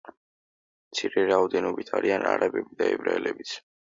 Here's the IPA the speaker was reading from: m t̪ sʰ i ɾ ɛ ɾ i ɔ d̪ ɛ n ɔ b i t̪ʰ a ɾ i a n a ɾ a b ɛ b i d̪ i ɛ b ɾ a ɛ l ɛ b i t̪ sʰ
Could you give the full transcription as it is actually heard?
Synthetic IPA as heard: m t̪ sʰ i ɾ ɛ ɾ a ɔ d̪ ɛ n ɔ b i t̪ʰ a ɾ i a n a ɾ a b ɛ b i d̪ a ɛ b ɾ a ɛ l ɛ b i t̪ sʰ